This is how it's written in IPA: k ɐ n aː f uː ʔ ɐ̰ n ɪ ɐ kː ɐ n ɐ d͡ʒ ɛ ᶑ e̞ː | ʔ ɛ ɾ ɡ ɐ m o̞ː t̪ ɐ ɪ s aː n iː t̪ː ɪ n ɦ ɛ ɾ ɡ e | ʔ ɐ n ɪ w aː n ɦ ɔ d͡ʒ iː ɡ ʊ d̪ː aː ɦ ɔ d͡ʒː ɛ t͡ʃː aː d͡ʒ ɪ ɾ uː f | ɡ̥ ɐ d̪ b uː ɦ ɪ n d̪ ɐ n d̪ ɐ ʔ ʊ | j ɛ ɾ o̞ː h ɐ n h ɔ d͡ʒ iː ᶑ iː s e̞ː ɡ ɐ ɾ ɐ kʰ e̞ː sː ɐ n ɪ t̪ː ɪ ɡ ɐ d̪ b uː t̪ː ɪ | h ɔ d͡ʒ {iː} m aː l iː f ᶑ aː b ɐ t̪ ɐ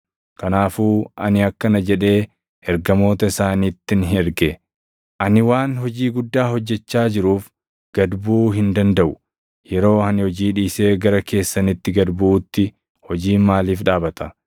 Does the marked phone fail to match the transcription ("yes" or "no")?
no